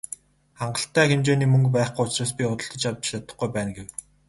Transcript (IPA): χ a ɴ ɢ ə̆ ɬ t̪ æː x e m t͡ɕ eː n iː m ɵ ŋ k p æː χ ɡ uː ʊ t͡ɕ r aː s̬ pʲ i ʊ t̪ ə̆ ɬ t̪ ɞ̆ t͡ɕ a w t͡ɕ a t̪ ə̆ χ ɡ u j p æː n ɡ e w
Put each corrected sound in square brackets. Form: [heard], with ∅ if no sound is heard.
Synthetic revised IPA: χ a ɴ ɢ ə̆ ɬ t̪ æː x e m t͡ɕ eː n iː m ɵ ŋ k p æː χ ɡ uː ʊ t͡ɕ r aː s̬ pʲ i ʊ t̪ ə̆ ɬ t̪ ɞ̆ t͡ɕ a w t͡ɕ a t̪ ə̆ χ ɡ u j p æː n ɡ e w